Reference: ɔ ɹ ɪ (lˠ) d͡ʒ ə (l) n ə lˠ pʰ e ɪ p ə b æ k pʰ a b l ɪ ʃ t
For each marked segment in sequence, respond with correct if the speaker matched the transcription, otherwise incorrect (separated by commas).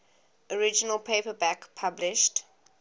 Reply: incorrect, incorrect